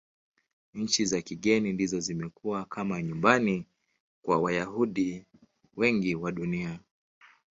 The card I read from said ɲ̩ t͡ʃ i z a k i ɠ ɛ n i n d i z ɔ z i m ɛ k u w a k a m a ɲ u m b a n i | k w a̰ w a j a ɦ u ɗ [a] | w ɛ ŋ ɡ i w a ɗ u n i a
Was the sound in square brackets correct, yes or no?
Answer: no